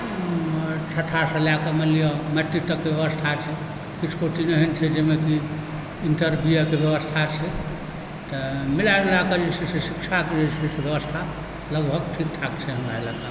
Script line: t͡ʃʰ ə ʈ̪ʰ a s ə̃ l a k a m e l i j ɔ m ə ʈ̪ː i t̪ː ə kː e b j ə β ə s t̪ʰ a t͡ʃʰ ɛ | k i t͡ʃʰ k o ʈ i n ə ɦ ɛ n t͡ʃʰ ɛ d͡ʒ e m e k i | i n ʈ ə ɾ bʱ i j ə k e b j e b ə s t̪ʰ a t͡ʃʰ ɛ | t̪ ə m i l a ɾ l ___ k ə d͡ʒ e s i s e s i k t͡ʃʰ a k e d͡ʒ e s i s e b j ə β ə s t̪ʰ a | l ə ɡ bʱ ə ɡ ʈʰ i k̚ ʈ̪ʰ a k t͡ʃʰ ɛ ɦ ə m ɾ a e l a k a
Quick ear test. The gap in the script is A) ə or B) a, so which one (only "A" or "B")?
B